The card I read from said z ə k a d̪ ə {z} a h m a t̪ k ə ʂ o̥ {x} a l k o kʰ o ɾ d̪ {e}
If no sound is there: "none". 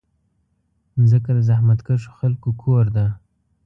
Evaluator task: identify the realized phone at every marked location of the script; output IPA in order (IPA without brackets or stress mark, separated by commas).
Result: z, x, a